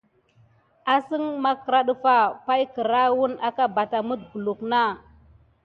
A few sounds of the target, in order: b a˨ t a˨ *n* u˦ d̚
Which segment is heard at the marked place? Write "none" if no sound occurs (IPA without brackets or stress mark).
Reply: m